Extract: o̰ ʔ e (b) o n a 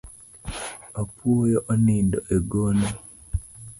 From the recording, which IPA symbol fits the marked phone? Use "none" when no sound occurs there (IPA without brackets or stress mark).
ɡ